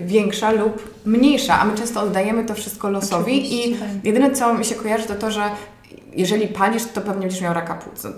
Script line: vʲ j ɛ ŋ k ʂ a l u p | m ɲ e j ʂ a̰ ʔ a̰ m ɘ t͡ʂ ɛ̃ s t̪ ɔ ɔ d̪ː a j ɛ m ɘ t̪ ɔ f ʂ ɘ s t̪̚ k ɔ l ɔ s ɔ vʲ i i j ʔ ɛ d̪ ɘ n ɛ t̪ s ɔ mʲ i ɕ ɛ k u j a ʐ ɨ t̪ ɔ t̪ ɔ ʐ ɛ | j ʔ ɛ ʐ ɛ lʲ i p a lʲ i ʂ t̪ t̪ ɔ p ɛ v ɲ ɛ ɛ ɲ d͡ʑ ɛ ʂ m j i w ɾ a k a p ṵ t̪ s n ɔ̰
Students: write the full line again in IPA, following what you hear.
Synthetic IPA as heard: vʲ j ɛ ŋ k ʂ a l u p | m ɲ e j ʂ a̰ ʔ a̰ m ɘ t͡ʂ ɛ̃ s t̪ ɔ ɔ d̪ː a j ɛ m ɘ t̪ ɔ f ʂ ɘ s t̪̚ k ɔ l ɔ s ɔ vʲ i i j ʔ ɛ d̪ ɘ n ɛ t̪ s ɔ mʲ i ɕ ɛ k ɔ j a ʐ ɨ t̪ ɔ t̪ ɔ ʐ ɛ | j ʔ ɛ ʐ ɛ lʲ i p a lʲ i ʂ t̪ t̪ ɔ p ɛ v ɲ ɛ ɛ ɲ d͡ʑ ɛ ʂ m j a w ɾ a k a p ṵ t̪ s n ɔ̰